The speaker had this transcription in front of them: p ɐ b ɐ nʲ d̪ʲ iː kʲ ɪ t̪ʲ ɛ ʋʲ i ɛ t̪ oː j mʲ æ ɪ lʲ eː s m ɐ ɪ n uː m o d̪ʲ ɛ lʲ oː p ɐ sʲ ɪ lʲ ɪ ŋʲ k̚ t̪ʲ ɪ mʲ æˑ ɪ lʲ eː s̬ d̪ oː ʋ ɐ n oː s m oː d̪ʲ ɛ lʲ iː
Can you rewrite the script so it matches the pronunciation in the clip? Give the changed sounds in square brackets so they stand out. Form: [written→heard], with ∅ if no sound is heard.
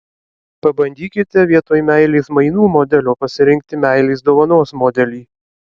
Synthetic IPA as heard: p ɐ b ɐ nʲ d̪ʲ iː kʲ ɪ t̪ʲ ɛ ʋʲ i ɛ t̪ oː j mʲ æ ɪ lʲ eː s m ɐ ɪ n uː m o d̪ʲ ɛ lʲ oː p ɐ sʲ ɪ [lʲ→ɾʲ] ɪ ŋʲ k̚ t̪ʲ ɪ mʲ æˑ ɪ lʲ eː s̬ d̪ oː ʋ ɐ n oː s m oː d̪ʲ ɛ lʲ iː